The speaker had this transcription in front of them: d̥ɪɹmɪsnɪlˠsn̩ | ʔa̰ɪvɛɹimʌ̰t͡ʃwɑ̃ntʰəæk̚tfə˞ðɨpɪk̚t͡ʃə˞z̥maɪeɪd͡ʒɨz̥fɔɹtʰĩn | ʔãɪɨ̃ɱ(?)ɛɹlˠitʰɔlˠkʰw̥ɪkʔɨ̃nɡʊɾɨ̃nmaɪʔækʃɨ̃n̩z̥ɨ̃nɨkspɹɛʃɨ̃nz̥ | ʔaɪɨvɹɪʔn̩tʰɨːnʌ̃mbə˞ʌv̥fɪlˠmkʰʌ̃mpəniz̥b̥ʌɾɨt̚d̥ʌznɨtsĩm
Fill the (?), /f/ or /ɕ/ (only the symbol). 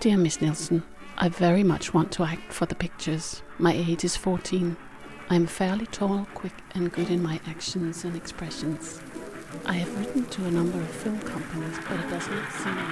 f